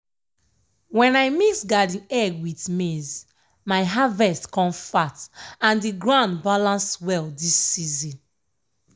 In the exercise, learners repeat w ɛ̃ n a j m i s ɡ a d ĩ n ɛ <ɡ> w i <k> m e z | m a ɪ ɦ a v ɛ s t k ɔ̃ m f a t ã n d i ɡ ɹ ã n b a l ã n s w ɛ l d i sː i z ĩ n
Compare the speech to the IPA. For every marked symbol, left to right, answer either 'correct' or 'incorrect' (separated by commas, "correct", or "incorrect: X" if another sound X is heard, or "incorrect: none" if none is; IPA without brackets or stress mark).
correct, incorrect: t